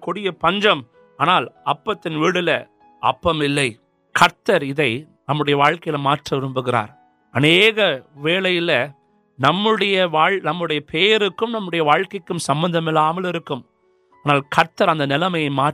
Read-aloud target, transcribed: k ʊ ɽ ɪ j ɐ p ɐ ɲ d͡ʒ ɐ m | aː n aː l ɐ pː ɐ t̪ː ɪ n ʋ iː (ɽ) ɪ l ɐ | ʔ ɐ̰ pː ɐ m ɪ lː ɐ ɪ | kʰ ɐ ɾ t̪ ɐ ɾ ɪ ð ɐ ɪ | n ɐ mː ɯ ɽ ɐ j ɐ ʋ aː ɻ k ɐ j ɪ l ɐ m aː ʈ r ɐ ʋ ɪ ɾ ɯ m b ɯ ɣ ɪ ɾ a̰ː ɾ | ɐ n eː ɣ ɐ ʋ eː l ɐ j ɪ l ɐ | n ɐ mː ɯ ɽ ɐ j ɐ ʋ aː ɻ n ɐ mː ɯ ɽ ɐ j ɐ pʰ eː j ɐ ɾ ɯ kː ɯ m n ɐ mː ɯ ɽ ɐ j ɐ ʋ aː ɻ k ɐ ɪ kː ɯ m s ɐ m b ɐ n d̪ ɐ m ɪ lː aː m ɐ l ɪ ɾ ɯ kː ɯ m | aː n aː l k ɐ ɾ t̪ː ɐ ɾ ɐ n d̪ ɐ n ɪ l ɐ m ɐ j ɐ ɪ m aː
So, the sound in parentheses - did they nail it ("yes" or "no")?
yes